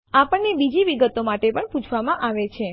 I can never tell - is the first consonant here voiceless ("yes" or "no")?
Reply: yes